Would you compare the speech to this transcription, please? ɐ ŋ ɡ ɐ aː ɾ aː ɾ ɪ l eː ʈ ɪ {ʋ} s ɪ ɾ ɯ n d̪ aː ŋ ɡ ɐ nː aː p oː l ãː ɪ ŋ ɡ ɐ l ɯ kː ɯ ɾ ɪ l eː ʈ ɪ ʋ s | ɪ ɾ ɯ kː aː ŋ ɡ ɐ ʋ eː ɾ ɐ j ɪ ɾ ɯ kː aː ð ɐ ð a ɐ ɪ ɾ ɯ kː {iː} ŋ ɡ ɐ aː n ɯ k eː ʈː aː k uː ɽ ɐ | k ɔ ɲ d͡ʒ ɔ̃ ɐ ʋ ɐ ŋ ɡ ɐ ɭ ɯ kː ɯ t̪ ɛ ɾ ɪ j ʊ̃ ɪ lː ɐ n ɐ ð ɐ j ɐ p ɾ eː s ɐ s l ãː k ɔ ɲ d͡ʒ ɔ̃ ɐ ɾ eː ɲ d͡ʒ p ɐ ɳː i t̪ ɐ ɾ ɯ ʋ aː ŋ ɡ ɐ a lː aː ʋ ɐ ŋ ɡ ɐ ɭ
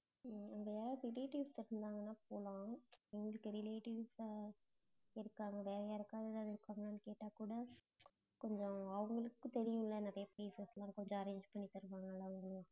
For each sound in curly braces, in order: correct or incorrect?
correct, incorrect: aː

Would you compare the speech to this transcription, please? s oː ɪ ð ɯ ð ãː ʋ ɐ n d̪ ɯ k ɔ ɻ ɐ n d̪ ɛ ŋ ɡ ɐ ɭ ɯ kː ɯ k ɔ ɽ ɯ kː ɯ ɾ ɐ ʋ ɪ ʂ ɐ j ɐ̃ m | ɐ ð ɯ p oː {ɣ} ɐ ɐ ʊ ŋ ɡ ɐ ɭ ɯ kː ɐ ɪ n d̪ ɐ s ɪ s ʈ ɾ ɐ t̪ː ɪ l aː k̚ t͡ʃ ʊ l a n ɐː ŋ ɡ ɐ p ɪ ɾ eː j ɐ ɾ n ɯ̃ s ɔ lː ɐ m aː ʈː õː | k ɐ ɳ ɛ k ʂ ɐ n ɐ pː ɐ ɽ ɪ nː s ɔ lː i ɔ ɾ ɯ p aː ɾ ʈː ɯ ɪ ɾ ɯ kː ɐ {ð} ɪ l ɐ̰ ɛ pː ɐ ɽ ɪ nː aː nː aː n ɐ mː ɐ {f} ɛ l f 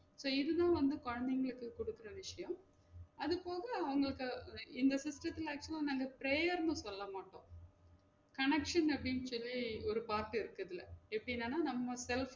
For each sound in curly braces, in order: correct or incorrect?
correct, correct, incorrect: s

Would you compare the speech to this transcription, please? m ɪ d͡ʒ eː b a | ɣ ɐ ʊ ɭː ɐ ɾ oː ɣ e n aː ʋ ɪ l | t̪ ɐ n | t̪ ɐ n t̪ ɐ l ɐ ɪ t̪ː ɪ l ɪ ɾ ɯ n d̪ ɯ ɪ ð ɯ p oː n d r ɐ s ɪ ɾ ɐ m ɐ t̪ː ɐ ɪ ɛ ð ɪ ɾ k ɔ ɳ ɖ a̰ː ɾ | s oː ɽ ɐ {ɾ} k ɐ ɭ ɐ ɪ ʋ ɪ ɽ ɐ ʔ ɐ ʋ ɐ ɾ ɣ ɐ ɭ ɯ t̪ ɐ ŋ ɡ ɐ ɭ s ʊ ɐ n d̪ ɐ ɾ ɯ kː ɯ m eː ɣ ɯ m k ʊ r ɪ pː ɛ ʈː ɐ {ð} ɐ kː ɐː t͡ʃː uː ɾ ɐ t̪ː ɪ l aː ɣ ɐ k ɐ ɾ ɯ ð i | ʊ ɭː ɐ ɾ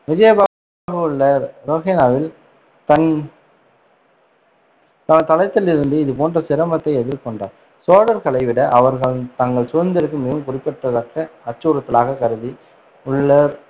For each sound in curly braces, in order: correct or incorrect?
correct, correct

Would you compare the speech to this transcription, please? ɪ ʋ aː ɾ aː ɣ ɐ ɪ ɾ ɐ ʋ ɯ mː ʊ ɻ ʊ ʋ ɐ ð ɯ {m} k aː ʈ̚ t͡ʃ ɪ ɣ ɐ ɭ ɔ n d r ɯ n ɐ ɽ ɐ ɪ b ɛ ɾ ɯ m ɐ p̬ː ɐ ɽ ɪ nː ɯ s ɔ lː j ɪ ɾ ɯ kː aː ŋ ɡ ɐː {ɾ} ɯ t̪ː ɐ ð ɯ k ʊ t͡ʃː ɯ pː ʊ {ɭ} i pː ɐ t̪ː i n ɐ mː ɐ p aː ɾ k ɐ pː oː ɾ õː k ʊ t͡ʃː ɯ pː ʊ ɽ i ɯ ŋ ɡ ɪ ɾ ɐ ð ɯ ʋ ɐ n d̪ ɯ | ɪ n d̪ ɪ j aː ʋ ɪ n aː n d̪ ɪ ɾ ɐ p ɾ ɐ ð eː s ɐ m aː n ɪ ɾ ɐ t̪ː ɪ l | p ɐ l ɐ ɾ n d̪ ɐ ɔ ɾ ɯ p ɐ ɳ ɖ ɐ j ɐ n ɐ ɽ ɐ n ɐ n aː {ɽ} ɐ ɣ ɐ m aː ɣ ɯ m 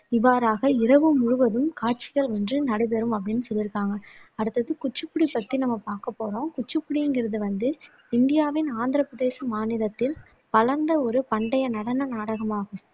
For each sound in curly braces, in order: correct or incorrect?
correct, incorrect: ɽ, incorrect: ɽ, correct

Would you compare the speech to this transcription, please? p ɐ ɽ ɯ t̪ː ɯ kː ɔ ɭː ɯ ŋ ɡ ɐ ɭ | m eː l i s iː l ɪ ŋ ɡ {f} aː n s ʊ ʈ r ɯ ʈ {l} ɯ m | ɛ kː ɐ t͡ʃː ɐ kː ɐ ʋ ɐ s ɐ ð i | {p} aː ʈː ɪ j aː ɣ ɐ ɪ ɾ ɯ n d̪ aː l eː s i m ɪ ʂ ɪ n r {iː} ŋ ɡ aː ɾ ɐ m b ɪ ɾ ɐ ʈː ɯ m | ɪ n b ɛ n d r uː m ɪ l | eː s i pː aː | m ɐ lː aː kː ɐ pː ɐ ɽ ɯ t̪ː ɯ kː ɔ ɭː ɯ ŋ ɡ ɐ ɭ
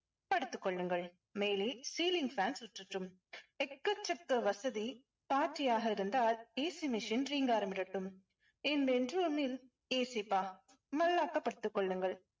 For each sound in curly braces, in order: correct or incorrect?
correct, incorrect: r, correct, correct

